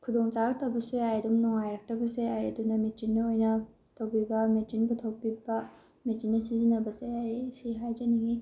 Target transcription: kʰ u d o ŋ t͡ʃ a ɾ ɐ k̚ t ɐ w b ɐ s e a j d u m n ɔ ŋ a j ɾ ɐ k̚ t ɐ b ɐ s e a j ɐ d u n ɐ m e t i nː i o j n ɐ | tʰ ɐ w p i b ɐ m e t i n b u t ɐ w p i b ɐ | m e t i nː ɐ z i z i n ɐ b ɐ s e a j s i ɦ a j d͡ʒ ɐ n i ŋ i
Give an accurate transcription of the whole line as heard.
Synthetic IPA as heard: kʰ u d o ŋ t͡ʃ a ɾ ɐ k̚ t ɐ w b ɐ s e a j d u m n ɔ ŋ a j ɾ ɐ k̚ t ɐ b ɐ s e a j ɐ d u n ɐ m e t i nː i o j n ɐ | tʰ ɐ w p i b ɐ m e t i n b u tʰ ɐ w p i b ɐ | m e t i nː ɐ s i z i n ɐ b ɐ s e a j s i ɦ a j d͡ʒ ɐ n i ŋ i